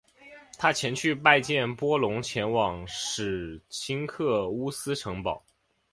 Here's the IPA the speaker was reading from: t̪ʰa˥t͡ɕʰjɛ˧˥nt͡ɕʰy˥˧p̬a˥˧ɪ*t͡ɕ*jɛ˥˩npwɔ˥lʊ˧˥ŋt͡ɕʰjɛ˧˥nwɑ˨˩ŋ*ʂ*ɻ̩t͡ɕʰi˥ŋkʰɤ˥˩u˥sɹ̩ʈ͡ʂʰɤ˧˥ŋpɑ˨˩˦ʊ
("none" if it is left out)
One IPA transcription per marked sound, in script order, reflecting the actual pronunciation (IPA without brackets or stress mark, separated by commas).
t͡ɕ, ʂ